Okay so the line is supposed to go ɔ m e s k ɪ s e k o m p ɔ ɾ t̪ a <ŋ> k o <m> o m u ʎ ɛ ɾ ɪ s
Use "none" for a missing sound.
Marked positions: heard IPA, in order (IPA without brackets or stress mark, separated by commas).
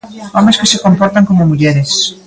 ŋ, m